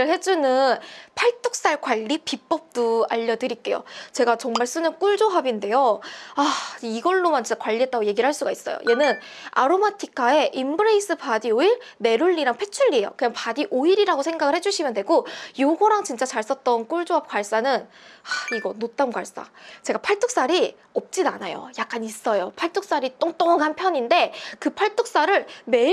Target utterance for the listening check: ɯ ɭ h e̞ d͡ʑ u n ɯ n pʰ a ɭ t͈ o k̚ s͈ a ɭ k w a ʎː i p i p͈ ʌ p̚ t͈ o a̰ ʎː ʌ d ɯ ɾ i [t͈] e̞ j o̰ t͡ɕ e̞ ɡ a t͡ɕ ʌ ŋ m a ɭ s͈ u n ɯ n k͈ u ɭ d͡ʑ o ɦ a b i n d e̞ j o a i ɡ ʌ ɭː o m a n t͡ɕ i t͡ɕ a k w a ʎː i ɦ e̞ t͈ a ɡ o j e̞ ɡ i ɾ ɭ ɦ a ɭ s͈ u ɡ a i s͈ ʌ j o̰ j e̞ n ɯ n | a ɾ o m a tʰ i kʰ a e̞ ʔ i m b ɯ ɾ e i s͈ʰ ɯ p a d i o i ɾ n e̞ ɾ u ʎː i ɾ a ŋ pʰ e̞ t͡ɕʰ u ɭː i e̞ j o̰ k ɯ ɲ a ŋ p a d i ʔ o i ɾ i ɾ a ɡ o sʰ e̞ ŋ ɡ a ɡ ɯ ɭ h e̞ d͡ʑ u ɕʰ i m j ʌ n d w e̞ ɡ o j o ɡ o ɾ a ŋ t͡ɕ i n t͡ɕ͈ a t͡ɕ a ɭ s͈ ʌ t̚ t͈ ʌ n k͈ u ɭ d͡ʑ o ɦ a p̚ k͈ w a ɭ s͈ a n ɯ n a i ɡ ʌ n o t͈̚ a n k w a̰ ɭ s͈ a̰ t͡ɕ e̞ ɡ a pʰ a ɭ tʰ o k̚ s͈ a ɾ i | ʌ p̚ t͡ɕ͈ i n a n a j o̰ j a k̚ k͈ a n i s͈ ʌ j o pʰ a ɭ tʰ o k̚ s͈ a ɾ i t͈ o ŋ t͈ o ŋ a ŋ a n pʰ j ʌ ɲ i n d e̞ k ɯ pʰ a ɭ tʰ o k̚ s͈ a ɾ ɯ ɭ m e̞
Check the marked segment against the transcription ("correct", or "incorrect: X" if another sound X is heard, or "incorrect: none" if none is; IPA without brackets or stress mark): incorrect: k͈